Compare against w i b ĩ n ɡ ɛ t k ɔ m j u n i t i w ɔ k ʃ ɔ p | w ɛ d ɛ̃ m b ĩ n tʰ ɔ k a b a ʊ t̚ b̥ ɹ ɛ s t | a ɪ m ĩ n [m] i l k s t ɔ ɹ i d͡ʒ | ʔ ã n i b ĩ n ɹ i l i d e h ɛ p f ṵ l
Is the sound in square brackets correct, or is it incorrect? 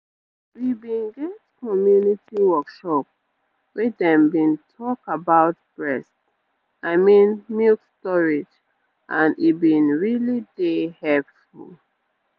correct